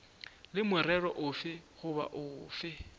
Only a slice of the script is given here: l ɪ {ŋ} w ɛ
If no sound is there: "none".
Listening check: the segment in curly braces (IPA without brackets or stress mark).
m